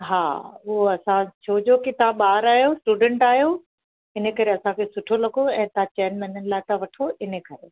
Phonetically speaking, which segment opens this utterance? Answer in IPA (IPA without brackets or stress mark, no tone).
ɦ